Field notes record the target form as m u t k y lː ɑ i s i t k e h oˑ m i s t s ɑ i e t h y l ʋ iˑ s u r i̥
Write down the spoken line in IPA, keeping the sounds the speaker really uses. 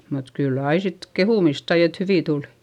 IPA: m u t k y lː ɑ i s i t k e h uˑ m i s t s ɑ i e t h y ʋ iˑ t u l i̥

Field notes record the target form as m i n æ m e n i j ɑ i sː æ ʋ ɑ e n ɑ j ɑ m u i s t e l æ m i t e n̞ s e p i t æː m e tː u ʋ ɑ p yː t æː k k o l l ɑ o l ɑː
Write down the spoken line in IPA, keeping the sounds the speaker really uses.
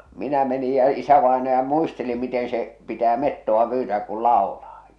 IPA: m i n æ m e n i j ɑ i s æ ʋ ɑ e n ɑ j ɑ m u i s t e l i m i t e n̞ s e p i t æː m e tː o ʋ ɑ p yː t æː k k u l l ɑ o l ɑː

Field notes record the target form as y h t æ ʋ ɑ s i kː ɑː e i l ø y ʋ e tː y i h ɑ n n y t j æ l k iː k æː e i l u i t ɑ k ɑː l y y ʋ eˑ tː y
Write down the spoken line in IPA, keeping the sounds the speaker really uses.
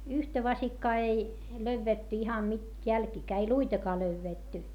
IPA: y h t æ ʋ ɑ s i kː ɑː e i l ø y ʋː e tː y i h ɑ n n y t j æ l k iː k æː e i l u i t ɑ k ɑː l ø y ʋː eˑ tː y

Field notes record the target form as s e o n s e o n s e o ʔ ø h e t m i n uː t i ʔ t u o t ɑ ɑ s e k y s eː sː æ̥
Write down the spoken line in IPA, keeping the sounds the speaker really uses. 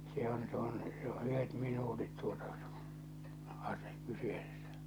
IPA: s e o n s e o n s e o ʔ y h e t m i n uː t i t t u o t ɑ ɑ s e k y s eː sː æ̥

